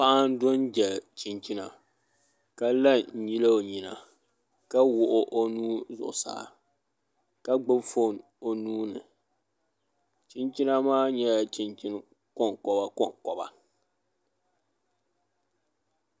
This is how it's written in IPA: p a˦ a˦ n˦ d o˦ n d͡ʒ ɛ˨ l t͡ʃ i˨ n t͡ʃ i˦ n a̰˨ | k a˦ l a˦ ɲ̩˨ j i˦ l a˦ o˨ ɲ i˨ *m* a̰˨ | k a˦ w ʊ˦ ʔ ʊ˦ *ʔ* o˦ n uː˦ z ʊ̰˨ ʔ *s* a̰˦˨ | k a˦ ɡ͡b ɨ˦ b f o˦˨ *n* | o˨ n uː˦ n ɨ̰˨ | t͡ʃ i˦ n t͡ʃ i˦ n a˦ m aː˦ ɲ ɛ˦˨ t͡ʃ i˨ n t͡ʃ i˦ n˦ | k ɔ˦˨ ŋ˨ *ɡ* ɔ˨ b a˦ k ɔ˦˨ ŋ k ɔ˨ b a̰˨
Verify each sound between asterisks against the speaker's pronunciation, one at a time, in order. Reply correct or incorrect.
incorrect, correct, correct, correct, incorrect

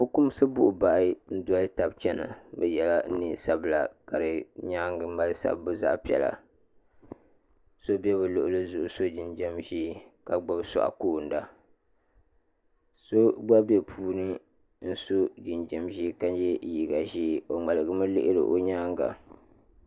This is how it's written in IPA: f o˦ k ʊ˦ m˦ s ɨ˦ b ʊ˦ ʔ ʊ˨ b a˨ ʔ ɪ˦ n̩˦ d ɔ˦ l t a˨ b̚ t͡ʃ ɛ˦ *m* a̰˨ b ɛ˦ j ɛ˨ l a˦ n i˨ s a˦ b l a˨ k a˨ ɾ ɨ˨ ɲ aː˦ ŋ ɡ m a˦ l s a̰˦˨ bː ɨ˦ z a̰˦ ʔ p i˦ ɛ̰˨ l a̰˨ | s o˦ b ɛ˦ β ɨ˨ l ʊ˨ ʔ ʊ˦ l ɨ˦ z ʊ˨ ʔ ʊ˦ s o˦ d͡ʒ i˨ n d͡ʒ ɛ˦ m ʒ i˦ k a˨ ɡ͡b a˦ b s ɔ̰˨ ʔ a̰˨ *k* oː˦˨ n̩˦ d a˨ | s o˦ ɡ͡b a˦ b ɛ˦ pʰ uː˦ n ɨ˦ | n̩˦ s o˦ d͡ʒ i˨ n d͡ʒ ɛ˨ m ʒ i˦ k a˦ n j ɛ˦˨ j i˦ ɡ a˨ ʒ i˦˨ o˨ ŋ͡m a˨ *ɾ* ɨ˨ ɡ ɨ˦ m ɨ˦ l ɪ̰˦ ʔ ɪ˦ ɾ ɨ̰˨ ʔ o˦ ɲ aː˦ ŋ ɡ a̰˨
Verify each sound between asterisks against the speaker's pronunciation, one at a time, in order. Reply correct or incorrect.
incorrect, correct, incorrect

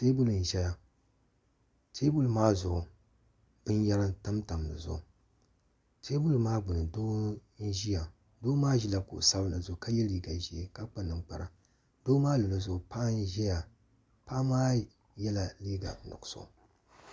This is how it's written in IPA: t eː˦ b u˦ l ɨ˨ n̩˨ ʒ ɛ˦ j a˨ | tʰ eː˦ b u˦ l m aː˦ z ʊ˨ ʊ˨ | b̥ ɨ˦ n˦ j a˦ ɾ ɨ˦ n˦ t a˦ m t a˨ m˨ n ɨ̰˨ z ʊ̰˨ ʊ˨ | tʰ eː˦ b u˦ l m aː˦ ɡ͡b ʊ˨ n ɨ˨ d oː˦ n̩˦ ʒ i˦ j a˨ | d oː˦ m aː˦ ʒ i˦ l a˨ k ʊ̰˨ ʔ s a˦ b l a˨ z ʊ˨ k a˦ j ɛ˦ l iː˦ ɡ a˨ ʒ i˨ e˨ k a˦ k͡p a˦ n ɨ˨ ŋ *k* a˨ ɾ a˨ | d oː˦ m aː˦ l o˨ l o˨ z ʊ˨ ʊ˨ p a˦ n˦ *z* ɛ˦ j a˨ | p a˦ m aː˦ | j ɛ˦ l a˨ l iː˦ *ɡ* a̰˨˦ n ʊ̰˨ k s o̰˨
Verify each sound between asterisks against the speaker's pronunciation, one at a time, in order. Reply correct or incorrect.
incorrect, incorrect, correct

